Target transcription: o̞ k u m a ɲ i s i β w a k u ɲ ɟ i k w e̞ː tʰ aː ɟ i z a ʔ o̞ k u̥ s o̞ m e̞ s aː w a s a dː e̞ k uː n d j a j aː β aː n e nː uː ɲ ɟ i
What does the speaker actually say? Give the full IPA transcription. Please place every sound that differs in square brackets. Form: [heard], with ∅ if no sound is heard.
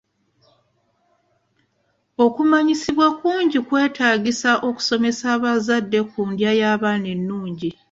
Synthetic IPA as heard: o̞ k u m a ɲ i s i β w a k [uː] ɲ ɟ i k w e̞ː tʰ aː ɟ i [s] a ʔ o̞ k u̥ s o̞ m e̞ s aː [β] a [z] a dː e̞ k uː n d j a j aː β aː n e nː uː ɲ ɟ i

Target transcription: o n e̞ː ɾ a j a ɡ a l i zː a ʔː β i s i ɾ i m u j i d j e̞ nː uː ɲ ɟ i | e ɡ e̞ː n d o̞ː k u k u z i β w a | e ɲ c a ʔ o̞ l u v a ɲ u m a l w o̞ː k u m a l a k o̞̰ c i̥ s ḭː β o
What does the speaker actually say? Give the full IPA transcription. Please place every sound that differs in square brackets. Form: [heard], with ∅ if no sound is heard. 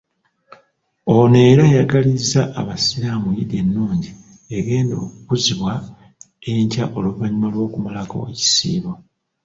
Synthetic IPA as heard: o n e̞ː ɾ a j a ɡ a l i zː a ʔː β [a] s i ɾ [a] m u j i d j e̞ nː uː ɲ ɟ i | e ɡ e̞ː n d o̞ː k u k u z i β w a | e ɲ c a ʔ o̞ l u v a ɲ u m a l w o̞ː k u m a l a k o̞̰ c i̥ s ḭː β o

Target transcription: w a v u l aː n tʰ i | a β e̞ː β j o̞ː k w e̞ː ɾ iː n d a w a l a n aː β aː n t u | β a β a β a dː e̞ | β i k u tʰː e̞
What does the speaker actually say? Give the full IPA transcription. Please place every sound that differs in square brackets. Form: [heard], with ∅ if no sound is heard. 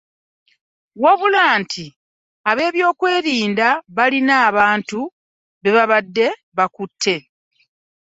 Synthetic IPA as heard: w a [β] u l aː n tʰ i | a β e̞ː β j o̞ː k w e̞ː ɾ iː n d a [β] a l [i] n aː β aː n t u | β [e] β a β a dː e̞ | β [a] k u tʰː e̞

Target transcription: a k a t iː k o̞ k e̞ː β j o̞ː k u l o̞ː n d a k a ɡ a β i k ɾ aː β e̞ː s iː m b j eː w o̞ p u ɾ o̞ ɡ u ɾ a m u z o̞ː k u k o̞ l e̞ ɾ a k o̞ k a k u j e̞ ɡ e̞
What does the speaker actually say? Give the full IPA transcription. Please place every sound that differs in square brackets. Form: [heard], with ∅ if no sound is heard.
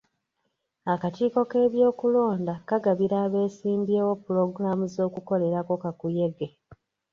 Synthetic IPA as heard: a k a t iː k o̞ k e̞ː β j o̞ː k u l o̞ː n d a k a ɡ a β i [∅] ɾ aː β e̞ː s iː m b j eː w o̞ p u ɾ o̞ ɡ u ɾ a m u z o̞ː k u k o̞ l e̞ ɾ a k o̞ k a k u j e̞ ɡ e̞

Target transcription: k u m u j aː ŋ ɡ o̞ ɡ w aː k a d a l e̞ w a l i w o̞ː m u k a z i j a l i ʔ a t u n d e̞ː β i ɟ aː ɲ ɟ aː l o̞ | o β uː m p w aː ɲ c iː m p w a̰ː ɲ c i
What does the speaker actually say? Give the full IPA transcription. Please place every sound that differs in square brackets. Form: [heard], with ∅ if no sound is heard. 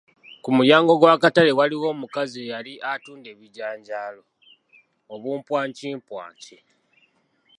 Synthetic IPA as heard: k u m u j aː ŋ ɡ o̞ ɡ w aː k a [t] a l e̞ w a l i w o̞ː m u k a z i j a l i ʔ a t [uː] n d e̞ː β i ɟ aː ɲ ɟ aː l o̞ | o β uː m p w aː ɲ c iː m p w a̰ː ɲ c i

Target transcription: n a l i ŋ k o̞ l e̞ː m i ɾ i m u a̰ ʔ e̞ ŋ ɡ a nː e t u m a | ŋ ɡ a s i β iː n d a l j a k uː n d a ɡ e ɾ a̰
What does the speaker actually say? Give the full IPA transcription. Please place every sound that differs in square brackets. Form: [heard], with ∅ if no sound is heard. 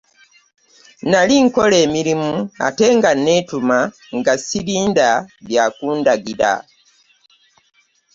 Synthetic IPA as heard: n a l i ŋ k o̞ l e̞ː m i ɾ i m u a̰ [t] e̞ ŋ ɡ a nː e t u m a | ŋ ɡ a s i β iː n d a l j a k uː n d a ɡ [i] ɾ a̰

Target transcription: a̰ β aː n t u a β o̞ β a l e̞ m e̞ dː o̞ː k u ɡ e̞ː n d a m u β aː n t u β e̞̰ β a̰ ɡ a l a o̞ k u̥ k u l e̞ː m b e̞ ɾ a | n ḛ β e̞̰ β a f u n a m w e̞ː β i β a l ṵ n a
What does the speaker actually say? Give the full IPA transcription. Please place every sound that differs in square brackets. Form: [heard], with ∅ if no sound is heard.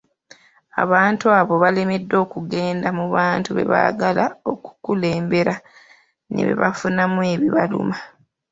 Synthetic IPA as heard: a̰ β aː n t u a β o̞ β a l e̞ m e̞ dː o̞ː k u ɡ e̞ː n d a m u β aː n t u β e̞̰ β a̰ ɡ a l a o̞ k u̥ k u l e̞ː m b e̞ ɾ a | n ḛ β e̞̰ β a f u n a m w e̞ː β i β a l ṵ [m] a

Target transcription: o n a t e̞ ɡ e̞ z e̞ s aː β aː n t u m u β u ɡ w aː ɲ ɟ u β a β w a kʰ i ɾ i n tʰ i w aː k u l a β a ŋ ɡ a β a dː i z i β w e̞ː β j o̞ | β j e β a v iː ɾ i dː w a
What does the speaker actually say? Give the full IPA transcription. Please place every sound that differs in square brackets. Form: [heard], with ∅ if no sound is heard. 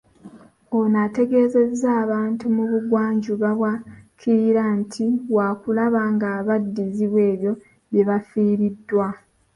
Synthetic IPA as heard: o n a t e̞ ɡ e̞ z e̞ [z] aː β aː n t u m u β u ɡ w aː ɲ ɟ u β a β w a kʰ i ɾ [a] n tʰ i w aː k u l a β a ŋ ɡ a β a dː i z i β w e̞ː β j o̞ | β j e β a [f] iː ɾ i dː w a

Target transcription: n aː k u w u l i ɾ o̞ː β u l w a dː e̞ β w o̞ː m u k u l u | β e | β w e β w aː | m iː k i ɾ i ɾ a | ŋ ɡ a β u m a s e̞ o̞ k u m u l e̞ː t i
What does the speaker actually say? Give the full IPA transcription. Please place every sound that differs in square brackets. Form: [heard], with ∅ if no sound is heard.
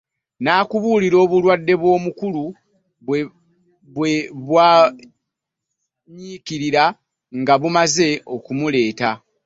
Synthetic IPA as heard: n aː k u [β] u l i ɾ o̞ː β u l w a dː e̞ β w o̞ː m u k u l u | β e | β w e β w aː | [ɲ] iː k i ɾ i ɾ a | ŋ ɡ a β u m a [z] e̞ o̞ k u m u l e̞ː t [a]

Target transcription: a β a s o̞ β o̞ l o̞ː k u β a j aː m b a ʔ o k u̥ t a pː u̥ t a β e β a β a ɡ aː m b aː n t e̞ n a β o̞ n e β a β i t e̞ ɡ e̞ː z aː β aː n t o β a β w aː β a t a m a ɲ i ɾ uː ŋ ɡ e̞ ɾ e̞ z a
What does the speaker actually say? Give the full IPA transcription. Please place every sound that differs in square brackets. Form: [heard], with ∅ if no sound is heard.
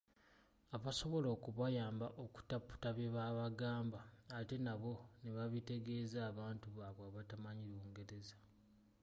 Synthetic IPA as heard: a β a s o̞ β o̞ l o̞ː k u β a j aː m b a ʔ o k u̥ t a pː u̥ t a β e β a β a ɡ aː m b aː [∅] t e̞ n a β o̞ n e β a β i t e̞ ɡ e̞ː z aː β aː n t [u] β a β w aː β a t a m a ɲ i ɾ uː ŋ ɡ e̞ ɾ e̞ z a

